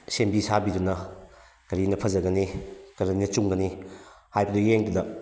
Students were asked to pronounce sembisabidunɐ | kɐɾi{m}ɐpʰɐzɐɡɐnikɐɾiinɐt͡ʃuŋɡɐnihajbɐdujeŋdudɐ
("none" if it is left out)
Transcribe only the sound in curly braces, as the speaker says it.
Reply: n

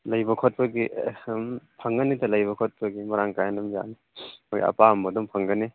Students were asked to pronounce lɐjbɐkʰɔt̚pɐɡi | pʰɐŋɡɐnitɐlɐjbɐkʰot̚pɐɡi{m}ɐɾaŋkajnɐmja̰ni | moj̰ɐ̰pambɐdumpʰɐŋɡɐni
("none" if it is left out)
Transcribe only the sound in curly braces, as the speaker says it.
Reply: m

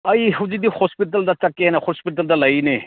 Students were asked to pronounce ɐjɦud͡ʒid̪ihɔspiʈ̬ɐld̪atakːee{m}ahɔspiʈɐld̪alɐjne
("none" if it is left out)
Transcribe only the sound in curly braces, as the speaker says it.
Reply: n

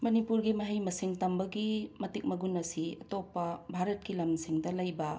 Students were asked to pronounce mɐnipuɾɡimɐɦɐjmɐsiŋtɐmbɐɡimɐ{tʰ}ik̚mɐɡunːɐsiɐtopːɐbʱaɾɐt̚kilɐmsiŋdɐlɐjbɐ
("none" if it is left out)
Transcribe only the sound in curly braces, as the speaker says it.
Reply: t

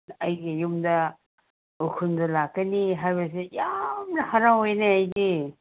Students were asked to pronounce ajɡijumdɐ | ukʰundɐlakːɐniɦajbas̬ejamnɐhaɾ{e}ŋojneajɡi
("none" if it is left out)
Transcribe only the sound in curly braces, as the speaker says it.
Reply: a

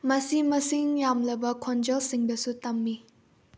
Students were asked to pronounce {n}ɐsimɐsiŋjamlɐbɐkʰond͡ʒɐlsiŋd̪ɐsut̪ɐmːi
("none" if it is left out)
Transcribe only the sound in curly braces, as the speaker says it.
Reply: m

